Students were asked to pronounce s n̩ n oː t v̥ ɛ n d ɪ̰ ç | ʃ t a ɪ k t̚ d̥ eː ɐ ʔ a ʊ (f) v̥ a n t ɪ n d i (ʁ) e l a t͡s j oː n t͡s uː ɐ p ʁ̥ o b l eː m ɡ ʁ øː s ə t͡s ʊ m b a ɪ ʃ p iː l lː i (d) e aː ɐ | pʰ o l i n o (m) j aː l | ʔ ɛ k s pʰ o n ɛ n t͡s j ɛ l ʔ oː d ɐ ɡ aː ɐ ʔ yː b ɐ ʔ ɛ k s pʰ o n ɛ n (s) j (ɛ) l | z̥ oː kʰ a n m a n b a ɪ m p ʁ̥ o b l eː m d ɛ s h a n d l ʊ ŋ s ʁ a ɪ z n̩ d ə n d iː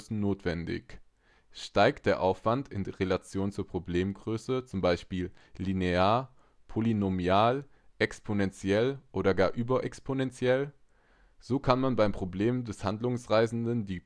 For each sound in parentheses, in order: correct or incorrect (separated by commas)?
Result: correct, correct, incorrect, correct, incorrect, correct